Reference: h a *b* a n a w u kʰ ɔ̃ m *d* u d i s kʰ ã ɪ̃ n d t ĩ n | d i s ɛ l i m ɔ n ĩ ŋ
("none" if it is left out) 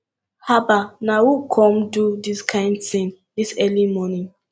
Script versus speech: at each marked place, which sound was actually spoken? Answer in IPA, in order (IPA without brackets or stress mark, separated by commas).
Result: b, d